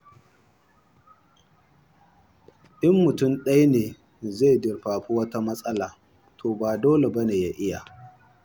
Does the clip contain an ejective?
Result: yes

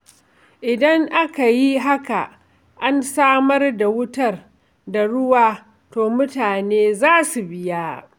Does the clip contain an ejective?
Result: no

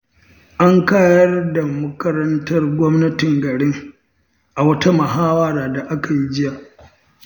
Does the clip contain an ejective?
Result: no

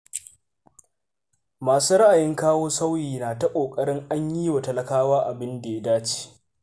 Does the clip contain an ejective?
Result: yes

